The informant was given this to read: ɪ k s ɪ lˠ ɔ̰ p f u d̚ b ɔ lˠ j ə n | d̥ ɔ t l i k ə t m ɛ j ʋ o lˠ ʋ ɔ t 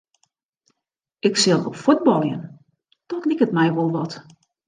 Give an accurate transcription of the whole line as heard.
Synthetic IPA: ɪ k s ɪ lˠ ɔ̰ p f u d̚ b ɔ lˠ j ə n | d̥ ɔ t l i k ə t m ɛ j ʋ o lˠ ʋ ɔ t

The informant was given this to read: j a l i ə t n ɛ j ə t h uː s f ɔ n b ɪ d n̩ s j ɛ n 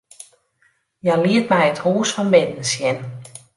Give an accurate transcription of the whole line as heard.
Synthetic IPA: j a l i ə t m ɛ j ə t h uː s f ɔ n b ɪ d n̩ s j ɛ n

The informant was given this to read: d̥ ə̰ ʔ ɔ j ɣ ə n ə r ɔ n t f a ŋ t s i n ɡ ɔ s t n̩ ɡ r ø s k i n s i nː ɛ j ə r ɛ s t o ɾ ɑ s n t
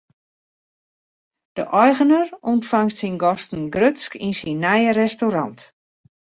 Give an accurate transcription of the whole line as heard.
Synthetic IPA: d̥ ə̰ ʔ ɔ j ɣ ə n ə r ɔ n t f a ŋ t s i n ɡ ɔ s t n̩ ɡ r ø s k i n s i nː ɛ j ə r ɛ s t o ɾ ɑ n t

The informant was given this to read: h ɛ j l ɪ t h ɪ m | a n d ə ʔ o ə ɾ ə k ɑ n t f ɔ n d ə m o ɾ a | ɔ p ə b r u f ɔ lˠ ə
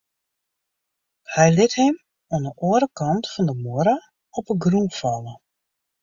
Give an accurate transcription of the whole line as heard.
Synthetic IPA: h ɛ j l ɪ t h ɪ m | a n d ə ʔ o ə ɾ ə k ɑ n t f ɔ n d ə m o ɾ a | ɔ p ə ɡ r u f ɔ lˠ ə

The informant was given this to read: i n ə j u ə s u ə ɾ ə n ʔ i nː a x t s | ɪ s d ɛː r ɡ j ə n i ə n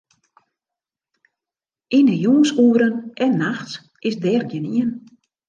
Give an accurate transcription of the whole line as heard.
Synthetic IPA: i n ə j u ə s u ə ɾ ə n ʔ ɛ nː a x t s | ɪ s d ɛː r ɡ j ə n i ə n

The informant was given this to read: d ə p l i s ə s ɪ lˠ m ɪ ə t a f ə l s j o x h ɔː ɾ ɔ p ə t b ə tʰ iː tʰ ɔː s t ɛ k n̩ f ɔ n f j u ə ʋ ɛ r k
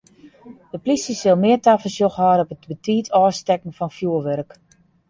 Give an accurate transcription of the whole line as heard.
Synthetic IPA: d ə p l i s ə s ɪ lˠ m ɪ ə t a f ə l s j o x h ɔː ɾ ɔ p ə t b ə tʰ iː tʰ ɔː s t ɛ k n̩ f ɔ n f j u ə ʋ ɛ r k

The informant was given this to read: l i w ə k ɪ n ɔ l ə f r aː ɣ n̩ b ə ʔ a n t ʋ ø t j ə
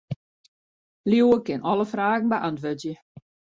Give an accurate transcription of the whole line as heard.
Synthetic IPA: l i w ə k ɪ n ɔ l ə f r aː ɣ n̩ b ə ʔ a n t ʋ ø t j ə

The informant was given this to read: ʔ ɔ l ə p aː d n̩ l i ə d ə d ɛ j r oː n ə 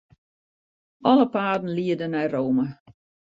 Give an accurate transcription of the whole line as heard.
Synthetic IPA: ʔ ɔ l ə p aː d n̩ l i ə d ə n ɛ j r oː m ə

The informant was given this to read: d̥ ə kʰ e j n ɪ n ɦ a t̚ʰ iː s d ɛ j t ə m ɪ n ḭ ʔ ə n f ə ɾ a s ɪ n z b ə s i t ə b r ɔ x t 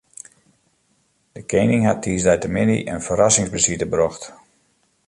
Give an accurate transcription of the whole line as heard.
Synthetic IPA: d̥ ə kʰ e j n ɪ ŋ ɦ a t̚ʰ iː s d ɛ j t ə m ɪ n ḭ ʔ ə n f ə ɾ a s ɪ ŋ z b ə s i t ə b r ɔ x t

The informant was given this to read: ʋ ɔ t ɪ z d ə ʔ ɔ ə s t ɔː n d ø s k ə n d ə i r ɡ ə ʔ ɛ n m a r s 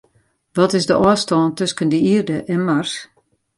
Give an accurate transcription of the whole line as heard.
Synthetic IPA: ʋ ɔ t ɪ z d ə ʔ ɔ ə s t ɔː n t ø s k ə n d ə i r d ə ʔ ɛ n m a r s

